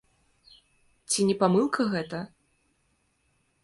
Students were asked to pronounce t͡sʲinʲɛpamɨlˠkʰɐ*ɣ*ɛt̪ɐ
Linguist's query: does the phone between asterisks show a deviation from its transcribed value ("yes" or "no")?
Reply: no